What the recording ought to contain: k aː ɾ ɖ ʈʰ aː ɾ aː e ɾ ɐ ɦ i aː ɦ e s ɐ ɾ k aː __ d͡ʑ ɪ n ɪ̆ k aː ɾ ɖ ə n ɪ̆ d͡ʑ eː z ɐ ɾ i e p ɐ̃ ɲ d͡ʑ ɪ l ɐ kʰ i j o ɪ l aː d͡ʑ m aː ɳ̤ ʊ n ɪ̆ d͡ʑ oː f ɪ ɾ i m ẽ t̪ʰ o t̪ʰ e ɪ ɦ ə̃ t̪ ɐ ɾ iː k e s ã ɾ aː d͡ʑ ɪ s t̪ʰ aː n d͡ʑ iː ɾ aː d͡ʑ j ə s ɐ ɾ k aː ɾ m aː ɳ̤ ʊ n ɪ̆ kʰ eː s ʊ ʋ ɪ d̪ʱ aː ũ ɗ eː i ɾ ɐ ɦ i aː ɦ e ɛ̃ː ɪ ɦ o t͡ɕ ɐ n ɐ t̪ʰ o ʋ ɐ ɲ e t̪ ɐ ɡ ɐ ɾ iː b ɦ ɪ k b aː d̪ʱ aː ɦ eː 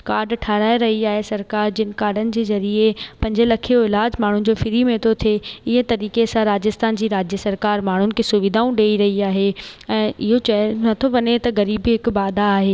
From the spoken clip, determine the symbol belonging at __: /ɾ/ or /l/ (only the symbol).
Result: ɾ